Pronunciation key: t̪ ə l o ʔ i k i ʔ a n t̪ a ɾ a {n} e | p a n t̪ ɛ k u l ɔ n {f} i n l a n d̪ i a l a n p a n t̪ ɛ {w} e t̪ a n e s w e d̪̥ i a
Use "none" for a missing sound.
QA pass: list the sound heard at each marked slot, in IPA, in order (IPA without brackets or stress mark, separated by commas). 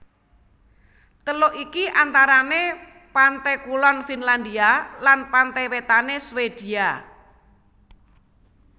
n, f, w